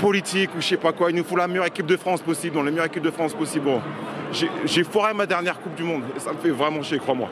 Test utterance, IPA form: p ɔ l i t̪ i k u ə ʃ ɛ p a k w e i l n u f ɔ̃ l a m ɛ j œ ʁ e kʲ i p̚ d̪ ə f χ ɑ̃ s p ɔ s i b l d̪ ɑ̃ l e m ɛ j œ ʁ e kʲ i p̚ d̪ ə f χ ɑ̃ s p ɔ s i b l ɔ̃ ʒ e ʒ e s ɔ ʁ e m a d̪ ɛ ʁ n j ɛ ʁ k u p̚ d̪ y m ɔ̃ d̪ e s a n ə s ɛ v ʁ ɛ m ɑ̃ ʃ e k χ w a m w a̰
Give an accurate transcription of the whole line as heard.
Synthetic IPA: p ɔ l i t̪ i k u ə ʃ ɛ p a k w a i l n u f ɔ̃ l a m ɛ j œ ʁ e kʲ i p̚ d̪ ə f χ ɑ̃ s p ɔ s i b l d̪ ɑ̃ l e m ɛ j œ ʁ e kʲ i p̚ d̪ ə f χ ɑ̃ s p ɔ s i b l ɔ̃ ʒ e ʒ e f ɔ ʁ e m a d̪ ɛ ʁ n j ɛ ʁ k u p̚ d̪ y m ɔ̃ d̪ e s a m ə f ɛ v ʁ ɛ m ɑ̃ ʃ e k χ w a m w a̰